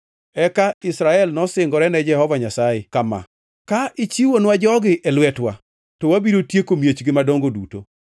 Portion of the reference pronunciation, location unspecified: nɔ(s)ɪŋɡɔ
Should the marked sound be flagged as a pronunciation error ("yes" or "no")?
no